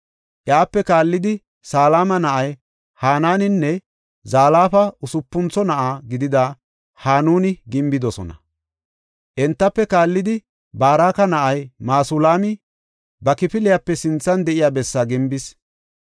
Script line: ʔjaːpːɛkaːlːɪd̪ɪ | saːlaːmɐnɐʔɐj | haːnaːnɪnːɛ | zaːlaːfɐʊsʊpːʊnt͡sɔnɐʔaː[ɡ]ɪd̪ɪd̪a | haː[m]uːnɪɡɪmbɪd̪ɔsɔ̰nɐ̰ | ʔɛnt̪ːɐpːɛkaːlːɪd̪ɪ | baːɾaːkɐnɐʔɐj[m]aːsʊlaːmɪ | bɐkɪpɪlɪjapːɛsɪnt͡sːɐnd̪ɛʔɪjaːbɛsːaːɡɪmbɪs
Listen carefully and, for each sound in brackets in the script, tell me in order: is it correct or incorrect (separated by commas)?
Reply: correct, incorrect, correct